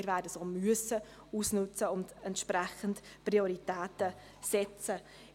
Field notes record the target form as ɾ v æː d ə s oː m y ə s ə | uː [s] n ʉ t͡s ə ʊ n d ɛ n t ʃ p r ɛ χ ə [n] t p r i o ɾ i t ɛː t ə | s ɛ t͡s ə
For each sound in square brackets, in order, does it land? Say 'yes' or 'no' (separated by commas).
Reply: yes, yes